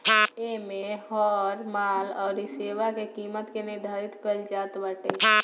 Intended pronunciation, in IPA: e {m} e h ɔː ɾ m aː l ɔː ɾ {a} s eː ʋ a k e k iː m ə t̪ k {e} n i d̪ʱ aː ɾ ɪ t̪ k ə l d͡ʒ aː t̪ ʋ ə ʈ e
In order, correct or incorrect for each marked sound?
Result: correct, incorrect, correct

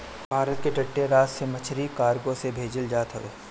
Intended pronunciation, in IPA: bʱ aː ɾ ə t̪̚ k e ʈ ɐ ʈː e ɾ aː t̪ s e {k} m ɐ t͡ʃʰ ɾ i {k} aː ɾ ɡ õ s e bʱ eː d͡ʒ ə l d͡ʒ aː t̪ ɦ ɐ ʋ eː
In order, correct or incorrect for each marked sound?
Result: incorrect, correct

